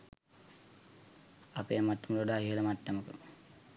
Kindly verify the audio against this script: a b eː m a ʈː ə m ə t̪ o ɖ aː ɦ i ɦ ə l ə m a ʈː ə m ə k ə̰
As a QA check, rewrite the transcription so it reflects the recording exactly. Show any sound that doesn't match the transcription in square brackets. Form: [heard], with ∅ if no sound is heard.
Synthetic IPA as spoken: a [p] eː m a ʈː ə m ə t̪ o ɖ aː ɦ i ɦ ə l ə m a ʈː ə m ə k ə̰